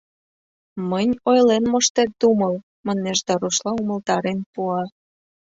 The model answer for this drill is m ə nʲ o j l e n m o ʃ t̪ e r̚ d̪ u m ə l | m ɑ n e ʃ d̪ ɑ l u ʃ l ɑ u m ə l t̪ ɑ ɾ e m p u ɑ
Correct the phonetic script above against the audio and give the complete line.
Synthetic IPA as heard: m ə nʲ o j l e n m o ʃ t̪ e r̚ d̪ u m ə l | m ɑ n e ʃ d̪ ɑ ɾ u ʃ l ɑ u m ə l t̪ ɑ ɾ e n p u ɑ